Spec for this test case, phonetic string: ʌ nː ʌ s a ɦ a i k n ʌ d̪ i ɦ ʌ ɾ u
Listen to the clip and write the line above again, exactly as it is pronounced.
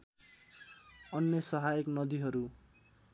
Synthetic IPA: ʌ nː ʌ s ʌ ɦ a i k n ʌ d̪ i ɦ ʌ ɾ u